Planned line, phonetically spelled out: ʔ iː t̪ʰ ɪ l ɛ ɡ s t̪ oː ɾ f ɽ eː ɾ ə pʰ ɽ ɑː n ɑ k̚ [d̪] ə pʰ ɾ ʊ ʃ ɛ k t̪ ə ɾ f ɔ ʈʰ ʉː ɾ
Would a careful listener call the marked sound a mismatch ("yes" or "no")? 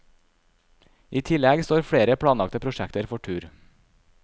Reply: yes